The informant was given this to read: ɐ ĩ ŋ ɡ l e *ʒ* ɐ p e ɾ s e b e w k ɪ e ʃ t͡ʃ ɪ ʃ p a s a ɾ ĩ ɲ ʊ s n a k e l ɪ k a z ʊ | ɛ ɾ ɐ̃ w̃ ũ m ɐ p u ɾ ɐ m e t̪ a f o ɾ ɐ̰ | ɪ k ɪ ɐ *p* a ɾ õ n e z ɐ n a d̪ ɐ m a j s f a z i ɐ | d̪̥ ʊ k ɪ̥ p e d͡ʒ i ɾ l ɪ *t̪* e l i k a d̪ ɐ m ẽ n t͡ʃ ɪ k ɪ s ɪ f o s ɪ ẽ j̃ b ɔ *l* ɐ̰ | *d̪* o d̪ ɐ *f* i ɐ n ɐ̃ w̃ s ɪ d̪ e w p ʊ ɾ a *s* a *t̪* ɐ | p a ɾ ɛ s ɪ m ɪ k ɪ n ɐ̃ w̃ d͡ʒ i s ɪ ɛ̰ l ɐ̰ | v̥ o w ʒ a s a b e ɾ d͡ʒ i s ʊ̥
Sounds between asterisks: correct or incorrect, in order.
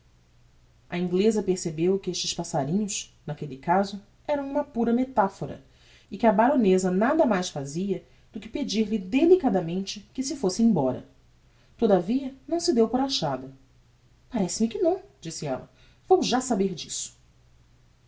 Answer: incorrect, incorrect, incorrect, incorrect, incorrect, incorrect, incorrect, incorrect

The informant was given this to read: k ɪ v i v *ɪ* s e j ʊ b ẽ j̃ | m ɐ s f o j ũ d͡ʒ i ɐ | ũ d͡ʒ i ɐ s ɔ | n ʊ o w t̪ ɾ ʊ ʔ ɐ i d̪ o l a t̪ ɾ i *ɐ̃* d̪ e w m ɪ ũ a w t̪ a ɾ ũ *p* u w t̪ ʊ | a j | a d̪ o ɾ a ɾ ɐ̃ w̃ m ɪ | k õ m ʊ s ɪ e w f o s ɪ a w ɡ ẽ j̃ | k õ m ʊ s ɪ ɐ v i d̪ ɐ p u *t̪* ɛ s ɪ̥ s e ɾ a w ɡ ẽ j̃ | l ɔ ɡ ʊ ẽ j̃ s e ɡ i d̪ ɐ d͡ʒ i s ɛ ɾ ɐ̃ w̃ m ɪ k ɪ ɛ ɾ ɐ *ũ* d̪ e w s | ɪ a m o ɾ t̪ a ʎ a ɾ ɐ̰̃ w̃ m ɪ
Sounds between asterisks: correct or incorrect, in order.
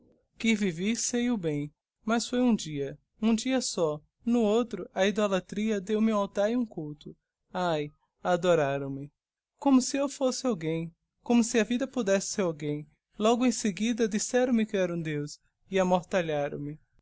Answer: incorrect, incorrect, incorrect, incorrect, correct

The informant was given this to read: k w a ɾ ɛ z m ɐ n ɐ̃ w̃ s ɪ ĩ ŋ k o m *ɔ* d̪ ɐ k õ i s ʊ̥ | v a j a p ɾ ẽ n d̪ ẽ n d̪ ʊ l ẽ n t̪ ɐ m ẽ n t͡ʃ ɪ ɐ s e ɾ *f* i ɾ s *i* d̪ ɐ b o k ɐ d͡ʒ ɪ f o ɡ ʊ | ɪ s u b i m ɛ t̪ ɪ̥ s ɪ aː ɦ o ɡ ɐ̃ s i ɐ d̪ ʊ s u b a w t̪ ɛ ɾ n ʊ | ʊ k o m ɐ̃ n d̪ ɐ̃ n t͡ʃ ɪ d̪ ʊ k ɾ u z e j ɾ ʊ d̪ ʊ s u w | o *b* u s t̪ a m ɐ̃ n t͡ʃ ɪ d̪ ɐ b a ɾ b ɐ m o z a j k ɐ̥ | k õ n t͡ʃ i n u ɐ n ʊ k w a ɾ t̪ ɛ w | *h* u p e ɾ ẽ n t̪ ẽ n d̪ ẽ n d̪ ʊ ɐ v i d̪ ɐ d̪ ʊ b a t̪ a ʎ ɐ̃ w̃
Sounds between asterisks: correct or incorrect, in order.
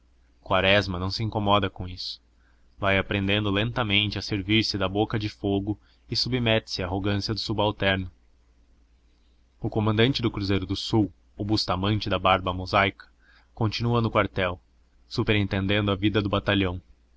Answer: correct, incorrect, incorrect, correct, incorrect

